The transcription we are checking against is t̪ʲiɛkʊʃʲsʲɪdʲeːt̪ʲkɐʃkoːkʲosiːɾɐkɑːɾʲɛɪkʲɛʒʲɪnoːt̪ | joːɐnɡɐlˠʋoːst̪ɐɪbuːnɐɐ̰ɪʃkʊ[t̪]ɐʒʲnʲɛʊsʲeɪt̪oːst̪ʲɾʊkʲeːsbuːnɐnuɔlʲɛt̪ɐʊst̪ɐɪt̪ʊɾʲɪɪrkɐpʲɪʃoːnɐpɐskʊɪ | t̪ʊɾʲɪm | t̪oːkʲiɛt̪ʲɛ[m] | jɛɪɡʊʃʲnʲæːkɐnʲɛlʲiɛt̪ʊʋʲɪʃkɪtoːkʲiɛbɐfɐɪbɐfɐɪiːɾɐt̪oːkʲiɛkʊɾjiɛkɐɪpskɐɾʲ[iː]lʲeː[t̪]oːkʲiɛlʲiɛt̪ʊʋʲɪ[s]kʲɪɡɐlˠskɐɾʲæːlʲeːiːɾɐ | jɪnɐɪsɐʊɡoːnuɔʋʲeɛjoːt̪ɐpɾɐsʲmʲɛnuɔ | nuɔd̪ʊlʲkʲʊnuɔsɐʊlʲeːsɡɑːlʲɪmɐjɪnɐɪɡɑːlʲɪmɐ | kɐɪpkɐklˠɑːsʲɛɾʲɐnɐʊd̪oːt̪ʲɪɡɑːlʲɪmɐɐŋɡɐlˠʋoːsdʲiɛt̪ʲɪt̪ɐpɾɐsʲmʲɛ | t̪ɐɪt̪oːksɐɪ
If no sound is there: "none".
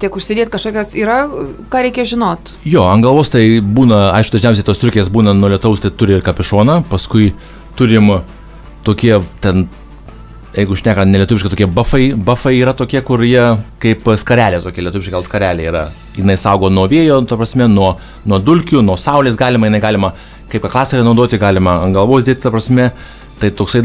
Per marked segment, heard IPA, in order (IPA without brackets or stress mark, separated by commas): d̪, n, æː, t̪, ʃ